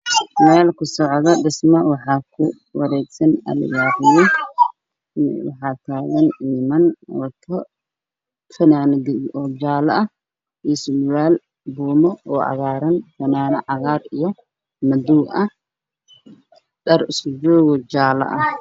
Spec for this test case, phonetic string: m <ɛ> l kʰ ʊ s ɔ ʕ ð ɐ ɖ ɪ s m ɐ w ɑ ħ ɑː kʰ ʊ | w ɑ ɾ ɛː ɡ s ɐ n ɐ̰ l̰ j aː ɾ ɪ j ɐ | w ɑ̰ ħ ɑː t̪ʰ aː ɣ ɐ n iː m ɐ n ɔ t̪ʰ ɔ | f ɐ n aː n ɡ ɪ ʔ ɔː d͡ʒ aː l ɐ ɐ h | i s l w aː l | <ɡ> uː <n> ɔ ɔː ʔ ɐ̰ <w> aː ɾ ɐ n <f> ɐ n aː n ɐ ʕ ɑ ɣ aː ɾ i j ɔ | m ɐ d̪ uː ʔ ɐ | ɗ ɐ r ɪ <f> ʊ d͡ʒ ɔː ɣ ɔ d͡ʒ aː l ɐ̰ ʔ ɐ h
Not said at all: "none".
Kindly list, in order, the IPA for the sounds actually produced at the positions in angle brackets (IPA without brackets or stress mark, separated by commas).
ɛː, b, m, ɣ, f, s